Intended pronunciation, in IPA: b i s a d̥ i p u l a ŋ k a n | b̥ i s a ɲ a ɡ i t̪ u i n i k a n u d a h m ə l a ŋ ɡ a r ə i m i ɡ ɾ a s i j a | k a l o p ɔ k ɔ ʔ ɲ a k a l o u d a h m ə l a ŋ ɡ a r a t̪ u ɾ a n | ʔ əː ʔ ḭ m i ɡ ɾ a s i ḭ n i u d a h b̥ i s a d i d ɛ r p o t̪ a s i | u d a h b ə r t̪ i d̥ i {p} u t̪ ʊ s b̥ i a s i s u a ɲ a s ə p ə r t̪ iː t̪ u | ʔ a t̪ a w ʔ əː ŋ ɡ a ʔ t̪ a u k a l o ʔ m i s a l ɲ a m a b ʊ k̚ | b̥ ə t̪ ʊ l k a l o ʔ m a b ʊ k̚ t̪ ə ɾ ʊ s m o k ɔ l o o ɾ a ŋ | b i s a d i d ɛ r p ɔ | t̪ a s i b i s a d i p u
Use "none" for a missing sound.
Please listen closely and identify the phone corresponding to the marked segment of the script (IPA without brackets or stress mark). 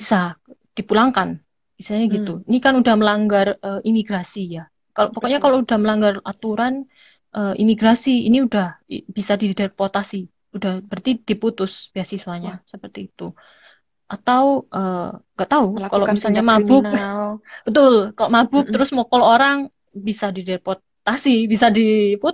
p